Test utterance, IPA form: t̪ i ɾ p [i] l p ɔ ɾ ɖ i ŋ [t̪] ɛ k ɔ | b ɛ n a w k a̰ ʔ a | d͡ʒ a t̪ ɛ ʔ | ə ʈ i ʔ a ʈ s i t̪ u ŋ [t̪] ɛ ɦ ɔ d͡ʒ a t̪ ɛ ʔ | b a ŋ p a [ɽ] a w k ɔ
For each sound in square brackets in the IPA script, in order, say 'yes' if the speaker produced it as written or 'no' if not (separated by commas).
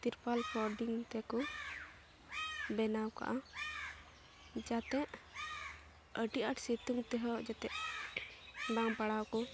no, yes, yes, yes